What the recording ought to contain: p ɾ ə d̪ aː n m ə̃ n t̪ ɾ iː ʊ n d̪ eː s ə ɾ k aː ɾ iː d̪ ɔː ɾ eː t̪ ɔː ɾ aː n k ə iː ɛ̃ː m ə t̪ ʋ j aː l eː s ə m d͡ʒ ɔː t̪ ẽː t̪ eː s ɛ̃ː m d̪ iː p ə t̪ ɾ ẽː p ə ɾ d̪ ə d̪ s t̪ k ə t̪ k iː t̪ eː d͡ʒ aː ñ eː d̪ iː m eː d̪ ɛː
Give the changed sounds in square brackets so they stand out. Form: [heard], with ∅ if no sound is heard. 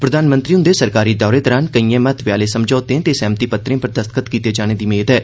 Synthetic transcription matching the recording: p ɾ ə d̪ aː n m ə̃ n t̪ ɾ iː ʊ n d̪ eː s ə ɾ k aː ɾ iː d̪ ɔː ɾ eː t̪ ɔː ɾ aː n k ə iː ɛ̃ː m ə t̪ ʋ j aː l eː s ə m d͡ʒ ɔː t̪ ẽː t̪ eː s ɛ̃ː m [t̪] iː p ə t̪ ɾ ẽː p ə ɾ d̪ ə [∅] s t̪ k ə t̪ k iː t̪ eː d͡ʒ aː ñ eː d̪ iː m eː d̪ ɛː